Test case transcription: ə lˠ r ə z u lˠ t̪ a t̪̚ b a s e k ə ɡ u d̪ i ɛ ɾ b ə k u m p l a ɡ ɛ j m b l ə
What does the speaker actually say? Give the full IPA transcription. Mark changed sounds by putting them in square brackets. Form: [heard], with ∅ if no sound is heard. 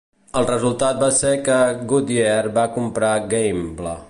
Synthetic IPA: ə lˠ r ə z u lˠ t̪ a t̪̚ b a s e k ə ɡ u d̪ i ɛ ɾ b [a] k u m p [ɾ] a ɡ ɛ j m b l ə

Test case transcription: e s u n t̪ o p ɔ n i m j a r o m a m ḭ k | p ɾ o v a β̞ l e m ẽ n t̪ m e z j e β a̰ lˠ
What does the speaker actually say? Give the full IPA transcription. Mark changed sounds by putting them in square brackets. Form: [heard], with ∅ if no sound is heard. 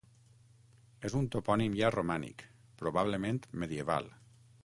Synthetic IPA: e [z] u n t̪ o p ɔ n i m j a r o m a [n] ḭ k | p ɾ o [β] a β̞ l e m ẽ n t̪ m e [ð] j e β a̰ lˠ

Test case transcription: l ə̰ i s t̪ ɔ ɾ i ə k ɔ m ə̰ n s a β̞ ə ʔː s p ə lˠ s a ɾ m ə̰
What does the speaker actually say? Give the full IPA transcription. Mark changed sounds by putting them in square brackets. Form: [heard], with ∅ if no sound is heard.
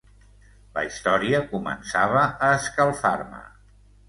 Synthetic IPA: l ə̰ i s t̪ ɔ ɾ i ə k [u] m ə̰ n s a β̞ ə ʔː s [k] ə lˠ [f] a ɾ m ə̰

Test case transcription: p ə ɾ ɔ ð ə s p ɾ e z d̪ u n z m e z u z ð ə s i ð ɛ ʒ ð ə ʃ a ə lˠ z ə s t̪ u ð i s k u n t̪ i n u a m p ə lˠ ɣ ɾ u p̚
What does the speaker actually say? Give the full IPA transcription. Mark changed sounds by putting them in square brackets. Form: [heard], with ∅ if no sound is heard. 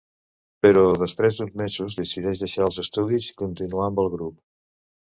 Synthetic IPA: p ə ɾ ɔ ð ə s p ɾ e z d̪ u n z m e z u z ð ə s i ð ɛ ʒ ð ə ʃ a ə lˠ z ə s t̪ u ð i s k u n t̪ i n u a m [b] ə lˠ ɣ ɾ u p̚

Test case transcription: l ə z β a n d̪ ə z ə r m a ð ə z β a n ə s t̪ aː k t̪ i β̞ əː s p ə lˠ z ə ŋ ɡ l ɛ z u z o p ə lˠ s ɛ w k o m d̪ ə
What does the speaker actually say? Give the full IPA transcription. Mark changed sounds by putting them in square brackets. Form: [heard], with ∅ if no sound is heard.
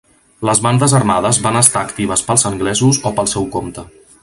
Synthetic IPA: l ə z β a n d̪ ə z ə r m a ð ə z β a n ə s t̪ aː k t̪ i β̞ [ə] s p ə lˠ z ə ŋ ɡ l ɛ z u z o p ə lˠ s ɛ w k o m [t̪] ə

